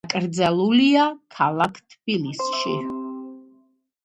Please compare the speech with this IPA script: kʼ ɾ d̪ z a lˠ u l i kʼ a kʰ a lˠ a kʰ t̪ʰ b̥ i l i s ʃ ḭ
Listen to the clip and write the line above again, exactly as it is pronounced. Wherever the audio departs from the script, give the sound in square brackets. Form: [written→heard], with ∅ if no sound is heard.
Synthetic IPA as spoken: kʼ ɾ d̪ z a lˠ u l i [kʼ→∅] a kʰ a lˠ a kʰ t̪ʰ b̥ i l i s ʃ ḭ

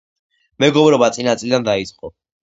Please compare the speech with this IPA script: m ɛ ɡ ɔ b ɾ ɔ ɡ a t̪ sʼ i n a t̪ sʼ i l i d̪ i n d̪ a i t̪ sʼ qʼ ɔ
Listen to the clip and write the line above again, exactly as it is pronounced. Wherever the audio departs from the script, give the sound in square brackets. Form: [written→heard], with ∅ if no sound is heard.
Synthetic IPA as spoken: m ɛ ɡ ɔ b ɾ ɔ [ɡ→b] a t̪ sʼ i n a t̪ sʼ i l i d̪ [i→a] n d̪ a i t̪ sʼ qʼ ɔ

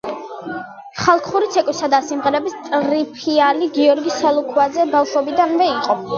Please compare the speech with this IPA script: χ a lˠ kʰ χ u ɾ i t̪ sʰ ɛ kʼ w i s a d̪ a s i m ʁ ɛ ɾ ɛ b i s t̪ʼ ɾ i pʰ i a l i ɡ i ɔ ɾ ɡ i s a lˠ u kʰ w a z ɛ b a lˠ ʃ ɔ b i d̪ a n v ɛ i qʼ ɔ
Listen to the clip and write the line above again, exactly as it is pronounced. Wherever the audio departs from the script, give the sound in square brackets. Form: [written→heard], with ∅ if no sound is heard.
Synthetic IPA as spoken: χ a lˠ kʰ χ u ɾ i t̪ sʰ ɛ kʼ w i s a d̪ a s i m ʁ ɛ ɾ ɛ b i s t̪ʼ ɾ i pʰ i a l i ɡ i ɔ ɾ ɡ i s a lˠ u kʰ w a z ɛ b a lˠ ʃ ɔ b i d̪ a n v ɛ i qʼ ɔ

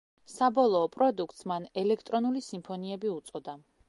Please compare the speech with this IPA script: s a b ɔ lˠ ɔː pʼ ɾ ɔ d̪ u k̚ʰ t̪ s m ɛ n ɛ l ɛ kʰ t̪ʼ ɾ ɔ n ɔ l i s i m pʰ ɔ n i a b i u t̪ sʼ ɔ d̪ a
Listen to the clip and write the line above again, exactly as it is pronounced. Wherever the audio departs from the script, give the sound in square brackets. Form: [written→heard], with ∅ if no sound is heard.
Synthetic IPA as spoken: s a b ɔ lˠ ɔː pʼ ɾ ɔ d̪ u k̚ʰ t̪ s m [ɛ→a] n ɛ l ɛ kʰ t̪ʼ ɾ ɔ n [ɔ→u] l i s i m pʰ ɔ n i [a→ɛ] b i u t̪ sʼ ɔ d̪ a

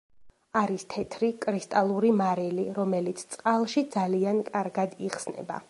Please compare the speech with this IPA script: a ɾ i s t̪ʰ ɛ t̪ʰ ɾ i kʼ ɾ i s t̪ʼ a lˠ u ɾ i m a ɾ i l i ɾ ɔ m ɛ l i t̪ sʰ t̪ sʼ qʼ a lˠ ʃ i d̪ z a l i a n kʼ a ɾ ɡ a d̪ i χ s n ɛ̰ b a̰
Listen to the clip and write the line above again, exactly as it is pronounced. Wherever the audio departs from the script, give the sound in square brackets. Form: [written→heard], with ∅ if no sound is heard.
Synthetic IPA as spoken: a ɾ i s t̪ʰ ɛ t̪ʰ ɾ i kʼ ɾ i s t̪ʼ a lˠ u ɾ i m a ɾ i l i ɾ ɔ m ɛ l i t̪ sʰ t̪ sʼ qʼ a lˠ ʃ i d̪ z a l i a n kʼ a ɾ ɡ a d̪ i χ s n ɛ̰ b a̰

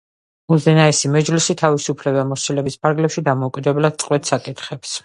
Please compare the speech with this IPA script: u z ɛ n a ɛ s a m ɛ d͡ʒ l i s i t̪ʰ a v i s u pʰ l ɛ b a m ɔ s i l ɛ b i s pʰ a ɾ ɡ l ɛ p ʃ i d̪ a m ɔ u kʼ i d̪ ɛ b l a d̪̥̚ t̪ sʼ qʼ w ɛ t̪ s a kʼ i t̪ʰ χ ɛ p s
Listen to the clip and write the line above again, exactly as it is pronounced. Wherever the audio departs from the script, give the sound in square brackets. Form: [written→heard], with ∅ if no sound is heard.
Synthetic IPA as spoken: u z ɛ n a ɛ s [a→i] m ɛ d͡ʒ l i s i t̪ʰ a v i s u pʰ l ɛ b a m ɔ s i l ɛ b i s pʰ a ɾ ɡ l ɛ p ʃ i d̪ a m ɔ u kʼ i d̪ ɛ b l a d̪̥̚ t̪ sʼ qʼ w ɛ t̪ s a kʼ i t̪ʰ χ ɛ p s

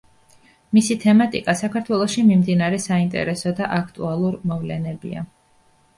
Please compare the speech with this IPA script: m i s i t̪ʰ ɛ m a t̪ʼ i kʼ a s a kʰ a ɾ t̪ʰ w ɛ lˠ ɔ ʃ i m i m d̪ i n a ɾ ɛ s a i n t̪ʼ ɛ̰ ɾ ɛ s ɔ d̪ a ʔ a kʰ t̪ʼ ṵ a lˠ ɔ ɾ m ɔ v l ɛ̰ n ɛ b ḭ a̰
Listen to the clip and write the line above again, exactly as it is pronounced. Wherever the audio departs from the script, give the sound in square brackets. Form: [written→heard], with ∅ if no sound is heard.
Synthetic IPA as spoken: m i s i t̪ʰ ɛ m a t̪ʼ i kʼ a s a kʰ a ɾ t̪ʰ w ɛ lˠ ɔ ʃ i m i m d̪ i n a ɾ ɛ s a i n t̪ʼ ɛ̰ ɾ ɛ s ɔ d̪ a ʔ a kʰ t̪ʼ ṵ a lˠ [ɔ→u] ɾ m ɔ v l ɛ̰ n ɛ b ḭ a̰

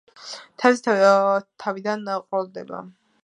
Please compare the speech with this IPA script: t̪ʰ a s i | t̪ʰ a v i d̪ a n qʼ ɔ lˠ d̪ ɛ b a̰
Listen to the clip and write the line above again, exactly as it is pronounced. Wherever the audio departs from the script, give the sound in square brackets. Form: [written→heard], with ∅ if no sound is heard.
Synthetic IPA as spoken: t̪ʰ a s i | t̪ʰ a v i d̪ a n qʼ ɔ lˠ d̪ ɛ b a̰

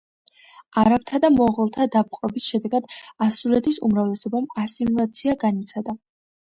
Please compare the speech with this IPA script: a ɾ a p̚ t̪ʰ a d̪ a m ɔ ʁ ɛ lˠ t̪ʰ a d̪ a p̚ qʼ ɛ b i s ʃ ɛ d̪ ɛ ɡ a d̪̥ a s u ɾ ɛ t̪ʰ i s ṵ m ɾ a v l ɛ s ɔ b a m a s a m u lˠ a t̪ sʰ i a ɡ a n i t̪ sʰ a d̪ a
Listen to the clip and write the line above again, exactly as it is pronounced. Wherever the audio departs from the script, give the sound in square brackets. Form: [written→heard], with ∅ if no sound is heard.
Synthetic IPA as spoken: a ɾ a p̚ t̪ʰ a d̪ a m ɔ ʁ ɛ lˠ t̪ʰ a d̪ a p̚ qʼ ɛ b i s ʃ ɛ d̪ ɛ ɡ a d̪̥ a s u ɾ ɛ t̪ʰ i s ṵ m ɾ a v l ɛ s ɔ b a m a s [a→i] m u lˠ a t̪ sʰ i a ɡ a n i t̪ sʰ a d̪ a

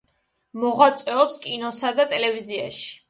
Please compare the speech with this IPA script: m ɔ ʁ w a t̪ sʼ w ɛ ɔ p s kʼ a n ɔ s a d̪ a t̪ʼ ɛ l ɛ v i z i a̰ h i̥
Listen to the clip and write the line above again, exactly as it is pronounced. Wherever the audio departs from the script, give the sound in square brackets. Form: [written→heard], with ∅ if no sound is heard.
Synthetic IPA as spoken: m ɔ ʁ w a t̪ sʼ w ɛ ɔ p s kʼ [a→i] n ɔ s a d̪ a t̪ʼ ɛ l ɛ v i z i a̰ [h→ʃ] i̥

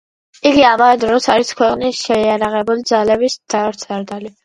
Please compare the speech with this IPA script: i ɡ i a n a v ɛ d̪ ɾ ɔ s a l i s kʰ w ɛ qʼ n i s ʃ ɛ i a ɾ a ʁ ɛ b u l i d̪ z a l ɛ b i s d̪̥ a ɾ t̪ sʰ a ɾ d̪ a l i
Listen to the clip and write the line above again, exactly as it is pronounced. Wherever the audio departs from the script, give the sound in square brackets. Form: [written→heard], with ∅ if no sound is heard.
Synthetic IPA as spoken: i ɡ i a [n→m] a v ɛ d̪ ɾ ɔ s a [l→ɾ] i s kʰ w ɛ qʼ n i s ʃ ɛ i a ɾ a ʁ ɛ b u l i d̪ z a l ɛ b i s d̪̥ a ɾ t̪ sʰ a ɾ d̪ a l i

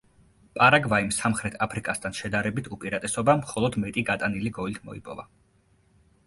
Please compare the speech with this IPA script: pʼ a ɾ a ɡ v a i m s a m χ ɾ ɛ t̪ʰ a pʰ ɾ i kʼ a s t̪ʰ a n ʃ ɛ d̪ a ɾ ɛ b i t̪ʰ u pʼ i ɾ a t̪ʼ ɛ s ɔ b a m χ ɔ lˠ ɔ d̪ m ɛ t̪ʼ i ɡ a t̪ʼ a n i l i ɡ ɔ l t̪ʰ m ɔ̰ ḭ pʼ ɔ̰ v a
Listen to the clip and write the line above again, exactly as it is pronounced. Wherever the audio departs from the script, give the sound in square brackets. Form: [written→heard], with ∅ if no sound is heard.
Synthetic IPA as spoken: pʼ a ɾ a ɡ v a i m s a m χ ɾ ɛ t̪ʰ a pʰ ɾ i kʼ a s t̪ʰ a n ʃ ɛ d̪ a ɾ ɛ b i t̪ʰ u pʼ i ɾ a t̪ʼ ɛ s ɔ b a m χ ɔ lˠ ɔ d̪ m ɛ t̪ʼ i ɡ a t̪ʼ a n i l i ɡ ɔ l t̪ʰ m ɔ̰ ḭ pʼ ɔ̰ v a

